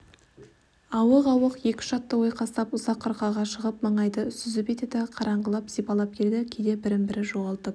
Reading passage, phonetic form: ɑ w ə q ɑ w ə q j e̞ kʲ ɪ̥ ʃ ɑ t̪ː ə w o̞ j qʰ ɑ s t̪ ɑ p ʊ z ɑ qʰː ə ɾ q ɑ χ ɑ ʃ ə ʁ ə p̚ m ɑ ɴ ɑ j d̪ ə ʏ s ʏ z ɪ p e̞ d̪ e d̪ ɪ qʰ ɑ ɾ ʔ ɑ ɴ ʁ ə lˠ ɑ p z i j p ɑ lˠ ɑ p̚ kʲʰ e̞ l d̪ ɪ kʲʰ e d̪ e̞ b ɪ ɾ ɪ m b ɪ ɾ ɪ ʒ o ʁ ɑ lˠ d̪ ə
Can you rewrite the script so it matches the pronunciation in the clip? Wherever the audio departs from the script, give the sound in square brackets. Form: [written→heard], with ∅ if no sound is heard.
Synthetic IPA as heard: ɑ w ə q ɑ w ə q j e̞ kʲ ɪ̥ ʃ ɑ t̪ː ə w o̞ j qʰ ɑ s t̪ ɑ p ʊ z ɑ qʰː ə ɾ q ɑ [χ→ʁ] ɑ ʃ ə ʁ ə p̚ m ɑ ɴ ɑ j d̪ ə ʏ s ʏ z ɪ p e̞ [d̪→t̪] e d̪ ɪ qʰ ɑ ɾ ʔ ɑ ɴ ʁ ə lˠ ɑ p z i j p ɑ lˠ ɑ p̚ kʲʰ e̞ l d̪ ɪ kʲʰ e d̪ e̞ b ɪ ɾ ɪ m b ɪ ɾ ɪ ʒ o ʁ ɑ lˠ [d̪→t̪] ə